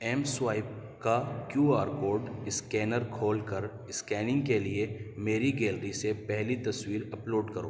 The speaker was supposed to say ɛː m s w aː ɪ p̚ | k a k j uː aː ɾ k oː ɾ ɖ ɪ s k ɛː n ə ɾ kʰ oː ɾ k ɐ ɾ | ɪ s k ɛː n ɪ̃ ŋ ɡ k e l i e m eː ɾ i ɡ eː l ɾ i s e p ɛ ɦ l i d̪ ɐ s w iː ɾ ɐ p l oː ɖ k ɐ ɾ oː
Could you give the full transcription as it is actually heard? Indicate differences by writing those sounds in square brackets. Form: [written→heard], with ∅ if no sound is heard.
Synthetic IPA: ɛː m s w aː ɪ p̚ | k a k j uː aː ɾ k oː ɾ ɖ ɪ s k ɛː n ə ɾ kʰ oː [ɾ→l] k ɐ ɾ | ɪ s k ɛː n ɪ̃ ŋ ɡ k e l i e m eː ɾ i ɡ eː l ɾ i s e p ɛ ɦ l i [d̪→t̪] ɐ s w iː ɾ ɐ p l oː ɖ k ɐ ɾ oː